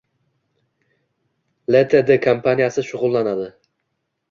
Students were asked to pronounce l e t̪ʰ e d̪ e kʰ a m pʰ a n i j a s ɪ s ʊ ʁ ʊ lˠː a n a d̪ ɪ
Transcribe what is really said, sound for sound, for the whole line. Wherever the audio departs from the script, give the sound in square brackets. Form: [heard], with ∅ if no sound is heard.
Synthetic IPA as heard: l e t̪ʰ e d̪ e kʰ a m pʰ a n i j a s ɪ [ʃ] ʊ ʁ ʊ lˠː a n a d̪ ɪ

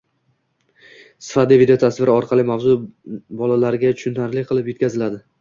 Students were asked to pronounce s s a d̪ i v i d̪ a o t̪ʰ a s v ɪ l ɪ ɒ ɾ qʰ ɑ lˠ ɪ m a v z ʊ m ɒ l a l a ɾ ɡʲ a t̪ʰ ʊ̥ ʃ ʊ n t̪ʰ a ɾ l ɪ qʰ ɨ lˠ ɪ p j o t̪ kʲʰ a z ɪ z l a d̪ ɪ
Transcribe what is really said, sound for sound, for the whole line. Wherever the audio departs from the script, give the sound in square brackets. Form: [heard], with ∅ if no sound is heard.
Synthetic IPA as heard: s [f] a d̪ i v i d̪ [e] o t̪ʰ a s v ɪ [ɾ] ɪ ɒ ɾ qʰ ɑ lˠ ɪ m a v z ʊ [b] ɒ l a l a ɾ ɡʲ a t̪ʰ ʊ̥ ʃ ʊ n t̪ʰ a ɾ l ɪ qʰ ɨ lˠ ɪ p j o t̪ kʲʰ a z ɪ [∅] l a d̪ ɪ

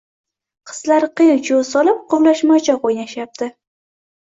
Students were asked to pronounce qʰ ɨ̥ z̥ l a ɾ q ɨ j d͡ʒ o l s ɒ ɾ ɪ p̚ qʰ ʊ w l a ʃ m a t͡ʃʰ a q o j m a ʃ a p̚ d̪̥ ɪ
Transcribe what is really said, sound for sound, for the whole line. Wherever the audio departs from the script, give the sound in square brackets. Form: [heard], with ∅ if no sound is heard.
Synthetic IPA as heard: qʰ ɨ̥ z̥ l a ɾ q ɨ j d͡ʒ o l s ɒ [l] ɪ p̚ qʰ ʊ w l a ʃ m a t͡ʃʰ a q o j [n] a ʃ a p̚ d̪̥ ɪ

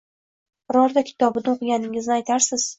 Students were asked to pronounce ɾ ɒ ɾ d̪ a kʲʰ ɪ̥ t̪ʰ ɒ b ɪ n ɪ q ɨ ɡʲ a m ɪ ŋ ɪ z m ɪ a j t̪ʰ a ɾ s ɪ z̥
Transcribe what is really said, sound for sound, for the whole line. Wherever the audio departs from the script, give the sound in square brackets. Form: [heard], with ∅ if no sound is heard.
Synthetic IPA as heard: ɾ ɒ ɾ d̪ a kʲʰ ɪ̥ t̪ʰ ɒ b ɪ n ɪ q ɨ ɡʲ a [n] ɪ ŋ ɪ z [n] ɪ a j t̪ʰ a ɾ s ɪ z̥

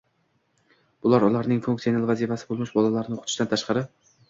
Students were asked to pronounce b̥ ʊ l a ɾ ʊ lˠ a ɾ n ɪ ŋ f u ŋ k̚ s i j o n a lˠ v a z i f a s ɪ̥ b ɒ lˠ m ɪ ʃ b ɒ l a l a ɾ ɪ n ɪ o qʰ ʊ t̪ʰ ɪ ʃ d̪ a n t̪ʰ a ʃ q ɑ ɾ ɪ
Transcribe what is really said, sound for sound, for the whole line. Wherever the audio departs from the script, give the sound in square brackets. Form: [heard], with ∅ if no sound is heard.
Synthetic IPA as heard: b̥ ʊ l a ɾ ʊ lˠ a ɾ n ɪ ŋ f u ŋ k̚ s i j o n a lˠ v a z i f a s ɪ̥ b [o] lˠ m ɪ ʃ b ɒ l a l a ɾ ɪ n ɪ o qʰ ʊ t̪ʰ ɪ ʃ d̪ a n t̪ʰ a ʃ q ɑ ɾ ɪ

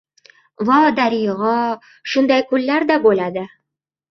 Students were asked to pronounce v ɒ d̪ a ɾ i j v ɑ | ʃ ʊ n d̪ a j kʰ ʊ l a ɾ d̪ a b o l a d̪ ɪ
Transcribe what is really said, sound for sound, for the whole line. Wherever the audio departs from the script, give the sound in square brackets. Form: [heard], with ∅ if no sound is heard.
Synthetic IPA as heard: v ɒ d̪ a ɾ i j [ʁ] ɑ | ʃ ʊ n d̪ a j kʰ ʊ [lː] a ɾ d̪ a b o l a d̪ ɪ

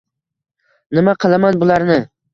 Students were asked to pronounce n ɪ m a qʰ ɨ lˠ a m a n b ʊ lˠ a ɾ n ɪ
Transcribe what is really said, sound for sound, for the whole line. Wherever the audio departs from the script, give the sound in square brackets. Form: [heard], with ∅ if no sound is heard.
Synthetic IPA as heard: n ɪ m a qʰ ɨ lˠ a m a n b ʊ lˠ a ɾ n ɪ

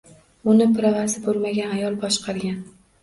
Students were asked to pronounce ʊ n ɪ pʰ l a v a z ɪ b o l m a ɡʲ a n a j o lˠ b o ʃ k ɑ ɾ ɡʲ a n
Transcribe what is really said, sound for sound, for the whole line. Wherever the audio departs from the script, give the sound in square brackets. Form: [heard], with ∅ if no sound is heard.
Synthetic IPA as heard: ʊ n ɪ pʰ [ɾ] a v a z ɪ b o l m a ɡʲ a n a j [ɒ] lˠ b [ɒ] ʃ [q] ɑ ɾ ɡʲ a n

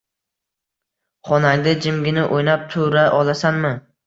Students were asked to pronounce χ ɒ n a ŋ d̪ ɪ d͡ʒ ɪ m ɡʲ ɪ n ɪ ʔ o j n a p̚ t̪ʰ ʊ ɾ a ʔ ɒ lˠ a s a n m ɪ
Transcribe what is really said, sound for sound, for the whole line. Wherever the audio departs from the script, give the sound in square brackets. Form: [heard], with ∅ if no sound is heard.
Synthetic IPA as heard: χ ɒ n a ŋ d̪ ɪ d͡ʒ ɪ m ɡʲ ɪ n ɪ ʔ o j n a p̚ t̪ʰ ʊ ɾ a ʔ ɒ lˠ a s a n m ɪ

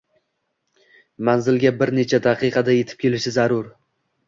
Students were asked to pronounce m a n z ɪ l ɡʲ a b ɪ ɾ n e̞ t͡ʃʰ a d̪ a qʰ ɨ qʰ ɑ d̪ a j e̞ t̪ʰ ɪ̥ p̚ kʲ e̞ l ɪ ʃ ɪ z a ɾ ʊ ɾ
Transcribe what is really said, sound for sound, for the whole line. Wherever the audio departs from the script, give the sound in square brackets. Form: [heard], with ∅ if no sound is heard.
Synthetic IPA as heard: m a n z ɪ l ɡʲ a b ɪ ɾ n e̞ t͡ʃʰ a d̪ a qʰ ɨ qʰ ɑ d̪ a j e̞ t̪ʰ ɪ̥ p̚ kʲ e̞ l ɪ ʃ ɪ z a ɾ ʊ ɾ

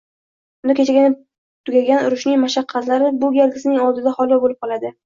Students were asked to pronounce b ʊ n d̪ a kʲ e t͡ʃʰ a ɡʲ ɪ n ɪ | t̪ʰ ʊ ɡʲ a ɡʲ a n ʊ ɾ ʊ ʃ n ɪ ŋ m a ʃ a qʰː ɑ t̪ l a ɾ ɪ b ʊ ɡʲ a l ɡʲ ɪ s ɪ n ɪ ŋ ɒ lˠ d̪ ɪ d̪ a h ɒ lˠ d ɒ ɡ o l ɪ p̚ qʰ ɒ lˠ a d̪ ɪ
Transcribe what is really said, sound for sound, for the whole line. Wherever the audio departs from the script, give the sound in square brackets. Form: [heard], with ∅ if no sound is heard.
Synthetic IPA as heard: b ʊ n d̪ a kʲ e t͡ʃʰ a ɡʲ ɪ n ɪ | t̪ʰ ʊ ɡʲ a ɡʲ a n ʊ ɾ ʊ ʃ n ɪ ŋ m a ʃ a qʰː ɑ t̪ l a ɾ ɪ b ʊ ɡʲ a l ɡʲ ɪ s ɪ n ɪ ŋ ɒ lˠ d̪ ɪ d̪ a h ɒ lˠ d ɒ [b] o l ɪ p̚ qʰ ɒ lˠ a d̪ ɪ

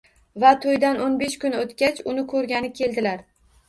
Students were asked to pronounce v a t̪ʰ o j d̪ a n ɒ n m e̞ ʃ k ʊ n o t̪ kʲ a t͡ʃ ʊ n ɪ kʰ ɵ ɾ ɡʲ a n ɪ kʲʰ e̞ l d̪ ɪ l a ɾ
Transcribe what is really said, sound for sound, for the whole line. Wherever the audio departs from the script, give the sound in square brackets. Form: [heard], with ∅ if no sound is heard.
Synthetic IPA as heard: v a t̪ʰ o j d̪ a n [o] n [b] e̞ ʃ k ʊ n o t̪ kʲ a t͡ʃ ʊ n ɪ kʰ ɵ ɾ ɡʲ a n ɪ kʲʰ e̞ l d̪ ɪ l a ɾ

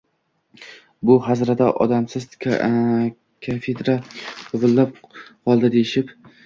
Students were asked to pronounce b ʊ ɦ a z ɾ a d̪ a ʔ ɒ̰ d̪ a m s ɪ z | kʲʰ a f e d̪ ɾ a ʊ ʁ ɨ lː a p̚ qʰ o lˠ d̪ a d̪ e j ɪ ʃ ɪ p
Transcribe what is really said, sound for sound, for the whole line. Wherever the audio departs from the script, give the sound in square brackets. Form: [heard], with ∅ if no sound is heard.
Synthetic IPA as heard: b ʊ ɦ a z ɾ a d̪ a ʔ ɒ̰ d̪ a m s ɪ z | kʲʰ a f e d̪ ɾ a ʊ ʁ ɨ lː a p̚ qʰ [ɒ] lˠ d̪ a d̪ e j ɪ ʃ ɪ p

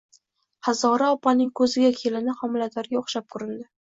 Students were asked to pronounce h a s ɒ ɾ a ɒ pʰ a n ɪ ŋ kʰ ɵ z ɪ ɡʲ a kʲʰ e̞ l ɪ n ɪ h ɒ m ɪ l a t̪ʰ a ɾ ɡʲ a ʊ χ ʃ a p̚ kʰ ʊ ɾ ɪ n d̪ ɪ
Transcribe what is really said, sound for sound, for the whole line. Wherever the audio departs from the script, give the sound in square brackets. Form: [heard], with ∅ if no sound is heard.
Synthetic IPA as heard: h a [z] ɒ ɾ a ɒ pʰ a n ɪ ŋ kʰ ɵ z ɪ ɡʲ a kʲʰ e̞ l ɪ n ɪ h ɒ m ɪ l a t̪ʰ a ɾ ɡʲ a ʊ χ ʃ a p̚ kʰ ʊ ɾ ɪ n d̪ ɪ

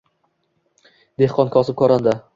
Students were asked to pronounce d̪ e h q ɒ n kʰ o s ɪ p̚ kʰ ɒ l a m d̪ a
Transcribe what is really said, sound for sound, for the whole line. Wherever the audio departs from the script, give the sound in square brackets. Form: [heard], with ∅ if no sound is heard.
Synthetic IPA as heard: d̪ e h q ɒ n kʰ [ɒ] s ɪ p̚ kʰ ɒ [ɾ] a [n] d̪ a

